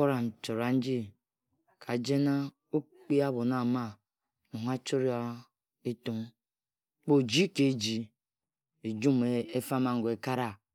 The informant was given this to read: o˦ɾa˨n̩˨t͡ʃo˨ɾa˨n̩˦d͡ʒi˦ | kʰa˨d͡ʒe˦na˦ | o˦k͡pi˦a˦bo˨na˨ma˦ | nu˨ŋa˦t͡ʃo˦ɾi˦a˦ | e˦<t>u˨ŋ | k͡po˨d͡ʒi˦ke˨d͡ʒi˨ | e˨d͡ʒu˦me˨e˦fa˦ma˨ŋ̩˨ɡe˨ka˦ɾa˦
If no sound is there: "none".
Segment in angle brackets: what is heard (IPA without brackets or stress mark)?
t